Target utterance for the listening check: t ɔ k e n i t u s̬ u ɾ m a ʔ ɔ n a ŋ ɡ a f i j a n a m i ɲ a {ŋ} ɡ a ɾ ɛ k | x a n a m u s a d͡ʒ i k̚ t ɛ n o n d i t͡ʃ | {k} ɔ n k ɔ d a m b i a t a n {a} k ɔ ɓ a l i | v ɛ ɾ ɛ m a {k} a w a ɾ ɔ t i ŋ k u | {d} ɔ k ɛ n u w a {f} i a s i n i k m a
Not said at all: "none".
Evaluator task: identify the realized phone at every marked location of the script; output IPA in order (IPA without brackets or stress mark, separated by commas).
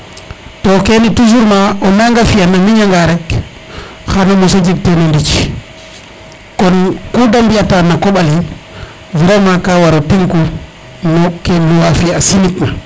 ŋ, k, a, k, n, f